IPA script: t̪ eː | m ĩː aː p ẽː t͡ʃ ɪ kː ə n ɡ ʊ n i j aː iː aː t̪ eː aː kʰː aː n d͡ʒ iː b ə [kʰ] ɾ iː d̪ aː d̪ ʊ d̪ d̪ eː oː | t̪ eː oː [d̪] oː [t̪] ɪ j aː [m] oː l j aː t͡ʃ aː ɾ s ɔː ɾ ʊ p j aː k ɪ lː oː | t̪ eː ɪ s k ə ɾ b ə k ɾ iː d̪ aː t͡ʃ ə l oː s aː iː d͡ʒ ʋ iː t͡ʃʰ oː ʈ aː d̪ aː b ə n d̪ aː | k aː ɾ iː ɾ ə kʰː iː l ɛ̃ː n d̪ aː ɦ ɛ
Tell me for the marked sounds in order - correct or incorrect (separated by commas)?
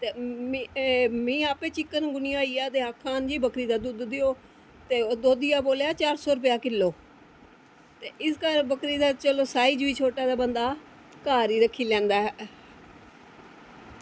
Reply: incorrect, correct, incorrect, incorrect